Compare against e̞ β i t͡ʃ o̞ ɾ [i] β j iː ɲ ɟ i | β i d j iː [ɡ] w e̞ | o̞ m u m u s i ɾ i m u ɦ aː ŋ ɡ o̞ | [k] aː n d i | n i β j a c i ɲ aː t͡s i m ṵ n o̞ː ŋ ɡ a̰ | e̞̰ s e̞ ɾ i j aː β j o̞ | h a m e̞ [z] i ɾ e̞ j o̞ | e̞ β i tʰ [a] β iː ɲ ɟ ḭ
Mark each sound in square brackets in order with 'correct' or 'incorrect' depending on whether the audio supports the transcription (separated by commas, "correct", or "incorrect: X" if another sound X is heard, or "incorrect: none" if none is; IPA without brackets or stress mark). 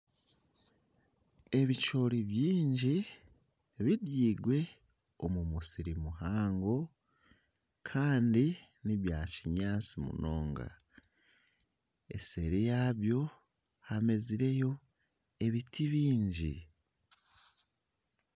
correct, correct, incorrect: kʰ, correct, incorrect: i